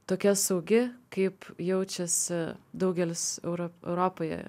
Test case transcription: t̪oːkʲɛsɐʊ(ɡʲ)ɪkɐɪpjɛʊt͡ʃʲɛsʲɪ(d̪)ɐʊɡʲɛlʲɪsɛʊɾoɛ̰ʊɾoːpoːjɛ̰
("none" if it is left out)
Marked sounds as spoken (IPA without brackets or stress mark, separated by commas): ɡʲ, d̪